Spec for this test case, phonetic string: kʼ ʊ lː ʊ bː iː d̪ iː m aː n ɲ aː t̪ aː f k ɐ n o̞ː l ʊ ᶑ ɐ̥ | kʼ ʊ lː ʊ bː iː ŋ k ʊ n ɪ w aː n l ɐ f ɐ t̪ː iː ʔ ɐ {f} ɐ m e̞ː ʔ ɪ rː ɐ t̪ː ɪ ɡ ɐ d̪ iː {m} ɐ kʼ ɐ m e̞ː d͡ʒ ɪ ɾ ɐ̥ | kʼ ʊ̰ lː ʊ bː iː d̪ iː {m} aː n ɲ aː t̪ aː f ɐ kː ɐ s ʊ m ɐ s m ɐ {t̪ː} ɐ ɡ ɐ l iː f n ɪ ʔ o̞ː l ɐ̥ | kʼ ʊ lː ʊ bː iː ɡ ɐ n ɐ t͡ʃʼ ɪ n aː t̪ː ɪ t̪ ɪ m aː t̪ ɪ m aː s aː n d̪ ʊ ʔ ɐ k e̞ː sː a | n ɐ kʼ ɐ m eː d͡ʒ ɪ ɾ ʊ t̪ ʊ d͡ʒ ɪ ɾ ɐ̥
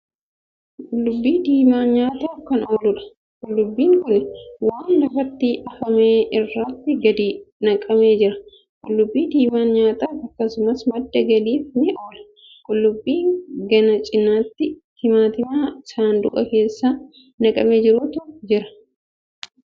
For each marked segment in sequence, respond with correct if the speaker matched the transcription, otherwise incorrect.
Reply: correct, incorrect, correct, incorrect

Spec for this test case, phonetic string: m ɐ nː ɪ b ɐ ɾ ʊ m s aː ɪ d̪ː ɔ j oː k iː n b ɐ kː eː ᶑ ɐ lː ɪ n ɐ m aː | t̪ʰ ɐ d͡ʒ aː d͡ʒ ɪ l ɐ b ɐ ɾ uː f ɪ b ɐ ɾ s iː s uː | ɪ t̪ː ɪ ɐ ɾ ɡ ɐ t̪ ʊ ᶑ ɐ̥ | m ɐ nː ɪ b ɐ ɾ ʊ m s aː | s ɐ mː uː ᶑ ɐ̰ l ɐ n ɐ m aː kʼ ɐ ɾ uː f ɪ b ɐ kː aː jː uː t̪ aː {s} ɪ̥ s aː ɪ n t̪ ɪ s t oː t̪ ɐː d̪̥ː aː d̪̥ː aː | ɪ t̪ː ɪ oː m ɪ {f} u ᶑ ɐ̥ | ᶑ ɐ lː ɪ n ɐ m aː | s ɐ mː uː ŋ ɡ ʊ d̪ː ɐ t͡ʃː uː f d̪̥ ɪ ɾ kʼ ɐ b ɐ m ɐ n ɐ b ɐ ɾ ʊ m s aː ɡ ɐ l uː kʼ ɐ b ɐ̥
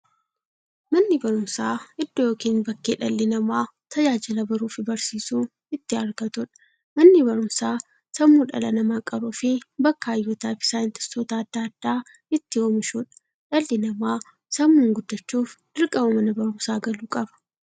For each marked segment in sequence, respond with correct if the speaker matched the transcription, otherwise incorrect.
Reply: incorrect, incorrect

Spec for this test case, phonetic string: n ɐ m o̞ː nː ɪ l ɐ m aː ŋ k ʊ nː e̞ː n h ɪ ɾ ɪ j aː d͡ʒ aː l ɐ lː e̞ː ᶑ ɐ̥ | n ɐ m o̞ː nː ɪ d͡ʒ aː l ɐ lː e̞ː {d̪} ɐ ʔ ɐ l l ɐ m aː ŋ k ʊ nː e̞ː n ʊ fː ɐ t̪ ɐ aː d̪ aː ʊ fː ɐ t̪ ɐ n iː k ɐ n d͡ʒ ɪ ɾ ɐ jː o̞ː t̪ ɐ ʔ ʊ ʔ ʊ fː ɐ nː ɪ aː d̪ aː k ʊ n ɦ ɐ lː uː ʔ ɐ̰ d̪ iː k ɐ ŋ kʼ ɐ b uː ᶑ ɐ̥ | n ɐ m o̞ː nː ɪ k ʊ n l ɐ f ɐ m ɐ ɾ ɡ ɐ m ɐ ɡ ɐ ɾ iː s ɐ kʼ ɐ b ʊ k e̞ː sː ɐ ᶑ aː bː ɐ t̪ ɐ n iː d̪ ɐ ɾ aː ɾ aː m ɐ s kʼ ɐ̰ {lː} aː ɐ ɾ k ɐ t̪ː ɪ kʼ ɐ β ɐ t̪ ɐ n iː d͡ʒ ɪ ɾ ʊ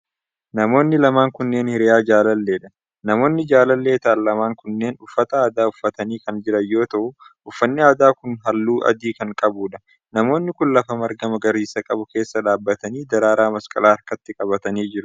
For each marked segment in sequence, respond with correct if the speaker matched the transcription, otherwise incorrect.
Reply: incorrect, incorrect

